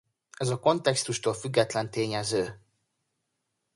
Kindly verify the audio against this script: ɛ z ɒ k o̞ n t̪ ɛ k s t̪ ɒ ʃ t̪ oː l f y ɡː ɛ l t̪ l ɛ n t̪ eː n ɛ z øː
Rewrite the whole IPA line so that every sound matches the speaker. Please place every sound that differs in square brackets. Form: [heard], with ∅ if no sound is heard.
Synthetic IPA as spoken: ɛ z ɒ k o̞ n t̪ ɛ k s t̪ [u] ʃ t̪ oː l f y ɡː ɛ [∅] t̪ l ɛ n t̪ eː [ɲ] ɛ z øː